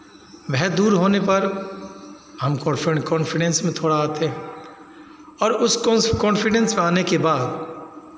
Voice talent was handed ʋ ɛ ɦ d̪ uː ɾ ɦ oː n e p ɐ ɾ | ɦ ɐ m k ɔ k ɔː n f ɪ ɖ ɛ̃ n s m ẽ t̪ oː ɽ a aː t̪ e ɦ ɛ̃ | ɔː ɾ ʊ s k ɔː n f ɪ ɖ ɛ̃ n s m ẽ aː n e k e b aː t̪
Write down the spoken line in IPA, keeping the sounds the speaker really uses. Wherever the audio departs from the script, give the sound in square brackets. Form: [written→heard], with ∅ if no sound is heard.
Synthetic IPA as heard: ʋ ɛ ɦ d̪ uː ɾ ɦ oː n e p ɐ ɾ | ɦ ɐ m k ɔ k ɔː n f ɪ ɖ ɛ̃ n s m ẽ [t̪→t̪ʰ] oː ɽ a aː t̪ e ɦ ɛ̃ | ɔː ɾ ʊ s k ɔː n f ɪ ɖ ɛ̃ n s m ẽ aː n e k e b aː [t̪→d̪]